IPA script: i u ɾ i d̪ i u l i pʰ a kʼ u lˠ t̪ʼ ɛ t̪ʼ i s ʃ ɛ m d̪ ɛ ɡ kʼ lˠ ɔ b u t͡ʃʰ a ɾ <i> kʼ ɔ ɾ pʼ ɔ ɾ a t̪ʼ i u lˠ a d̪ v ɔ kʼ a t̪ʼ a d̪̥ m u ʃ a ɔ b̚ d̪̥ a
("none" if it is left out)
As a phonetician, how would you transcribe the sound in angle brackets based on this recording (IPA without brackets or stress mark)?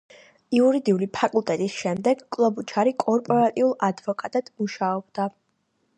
i